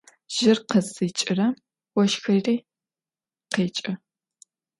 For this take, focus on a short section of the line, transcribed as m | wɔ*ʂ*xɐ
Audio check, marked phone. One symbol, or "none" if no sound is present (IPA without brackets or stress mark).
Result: ʃ